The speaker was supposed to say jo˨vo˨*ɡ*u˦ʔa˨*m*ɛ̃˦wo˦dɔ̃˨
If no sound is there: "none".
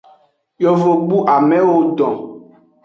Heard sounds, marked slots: ɡ͡b, m

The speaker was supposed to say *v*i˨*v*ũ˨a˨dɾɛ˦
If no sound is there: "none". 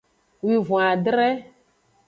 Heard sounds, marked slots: w, v

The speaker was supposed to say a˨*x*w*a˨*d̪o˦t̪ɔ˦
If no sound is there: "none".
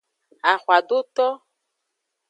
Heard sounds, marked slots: x, a˨

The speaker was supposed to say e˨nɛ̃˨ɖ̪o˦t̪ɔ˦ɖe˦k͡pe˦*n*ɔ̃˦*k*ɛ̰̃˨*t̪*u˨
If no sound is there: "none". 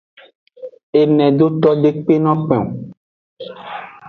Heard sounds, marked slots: n, k͡p, none

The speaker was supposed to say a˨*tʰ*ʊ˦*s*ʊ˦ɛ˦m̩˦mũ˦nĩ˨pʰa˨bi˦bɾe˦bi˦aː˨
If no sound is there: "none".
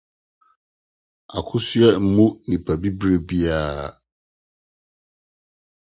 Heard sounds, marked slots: kʰ, s

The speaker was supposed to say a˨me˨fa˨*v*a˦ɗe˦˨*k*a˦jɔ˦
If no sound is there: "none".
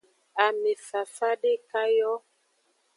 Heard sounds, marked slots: f, k

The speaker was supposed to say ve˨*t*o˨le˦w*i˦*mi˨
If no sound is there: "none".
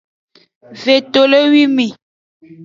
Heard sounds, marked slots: t, i˦

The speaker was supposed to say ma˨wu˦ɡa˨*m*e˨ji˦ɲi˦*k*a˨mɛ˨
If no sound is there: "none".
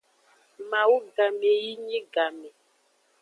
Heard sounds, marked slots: m, ɡ

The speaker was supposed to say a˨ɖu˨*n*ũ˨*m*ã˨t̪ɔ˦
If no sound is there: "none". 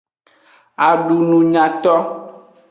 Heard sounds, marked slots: n, ɲ

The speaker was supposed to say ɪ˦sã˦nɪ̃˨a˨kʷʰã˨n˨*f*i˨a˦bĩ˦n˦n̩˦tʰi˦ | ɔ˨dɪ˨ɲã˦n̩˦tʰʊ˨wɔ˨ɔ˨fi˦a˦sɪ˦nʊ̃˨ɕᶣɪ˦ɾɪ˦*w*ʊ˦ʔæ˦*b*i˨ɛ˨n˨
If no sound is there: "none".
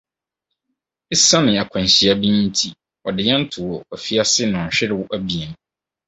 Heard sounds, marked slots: ɕ, w, b

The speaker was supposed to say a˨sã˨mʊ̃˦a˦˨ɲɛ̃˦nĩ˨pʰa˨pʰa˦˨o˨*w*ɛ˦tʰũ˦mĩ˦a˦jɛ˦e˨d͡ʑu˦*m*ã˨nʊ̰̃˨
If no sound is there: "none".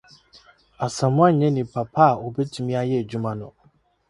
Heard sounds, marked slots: b, m

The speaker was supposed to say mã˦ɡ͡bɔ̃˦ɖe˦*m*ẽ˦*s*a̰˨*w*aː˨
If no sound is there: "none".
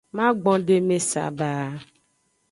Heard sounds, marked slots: m, s, b

